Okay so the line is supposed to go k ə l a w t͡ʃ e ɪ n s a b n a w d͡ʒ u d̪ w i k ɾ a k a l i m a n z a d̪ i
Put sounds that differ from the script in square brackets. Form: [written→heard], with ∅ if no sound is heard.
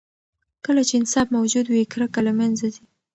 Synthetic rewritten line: k ə l a [w→∅] t͡ʃ e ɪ n s [a→ɑ] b [n→m] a w d͡ʒ u d̪ w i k ɾ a k a l [i→a] m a n z a d̪ i